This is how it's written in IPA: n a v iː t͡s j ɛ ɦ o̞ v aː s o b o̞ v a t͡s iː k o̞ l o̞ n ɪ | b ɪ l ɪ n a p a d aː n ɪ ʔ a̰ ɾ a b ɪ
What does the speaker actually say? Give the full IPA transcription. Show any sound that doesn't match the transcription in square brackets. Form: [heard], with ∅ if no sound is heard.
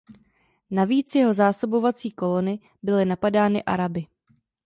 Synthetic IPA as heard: n a v iː t͡s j ɛ ɦ o̞ [z] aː s o b o̞ v a t͡s iː k o̞ l o̞ n ɪ | b ɪ l ɪ n a p a d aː n ɪ ʔ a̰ ɾ a b ɪ